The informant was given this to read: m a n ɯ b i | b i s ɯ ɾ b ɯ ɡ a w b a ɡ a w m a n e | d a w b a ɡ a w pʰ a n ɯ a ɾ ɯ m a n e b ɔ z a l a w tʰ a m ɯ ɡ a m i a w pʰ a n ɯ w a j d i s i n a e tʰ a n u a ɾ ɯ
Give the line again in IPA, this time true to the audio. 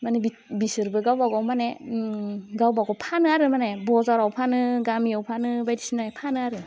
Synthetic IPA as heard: m a n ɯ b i | b i s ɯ ɾ b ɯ ɡ a w b a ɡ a w m a n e | ɡ a w b a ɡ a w pʰ a n ɯ a ɾ ɯ m a n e b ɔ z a ɾ a w pʰ a n ɯ ɡ a m i a w pʰ a n ɯ b a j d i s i n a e pʰ a n ɯ a ɾ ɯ